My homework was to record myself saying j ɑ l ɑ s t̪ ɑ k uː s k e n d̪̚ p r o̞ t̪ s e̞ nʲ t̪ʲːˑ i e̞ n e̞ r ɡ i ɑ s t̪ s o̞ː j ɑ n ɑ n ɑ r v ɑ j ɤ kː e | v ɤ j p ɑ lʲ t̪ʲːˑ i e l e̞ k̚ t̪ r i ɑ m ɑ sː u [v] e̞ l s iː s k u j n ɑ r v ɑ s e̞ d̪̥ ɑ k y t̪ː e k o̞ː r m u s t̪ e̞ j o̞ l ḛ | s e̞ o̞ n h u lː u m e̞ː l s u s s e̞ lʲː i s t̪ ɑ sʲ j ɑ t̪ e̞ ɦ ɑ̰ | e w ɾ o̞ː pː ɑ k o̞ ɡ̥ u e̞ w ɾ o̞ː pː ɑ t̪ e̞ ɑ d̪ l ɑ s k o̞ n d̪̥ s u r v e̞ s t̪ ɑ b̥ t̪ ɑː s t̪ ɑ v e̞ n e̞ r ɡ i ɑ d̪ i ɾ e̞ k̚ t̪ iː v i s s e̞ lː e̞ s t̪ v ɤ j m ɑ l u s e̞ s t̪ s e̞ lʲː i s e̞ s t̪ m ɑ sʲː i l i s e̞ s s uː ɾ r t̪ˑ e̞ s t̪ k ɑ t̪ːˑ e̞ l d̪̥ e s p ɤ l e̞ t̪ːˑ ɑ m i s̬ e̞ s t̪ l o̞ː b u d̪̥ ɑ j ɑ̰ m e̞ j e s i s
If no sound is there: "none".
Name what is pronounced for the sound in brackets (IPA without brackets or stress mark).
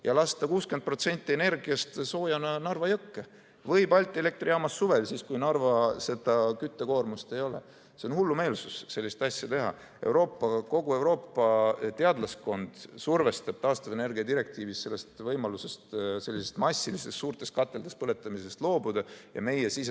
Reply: v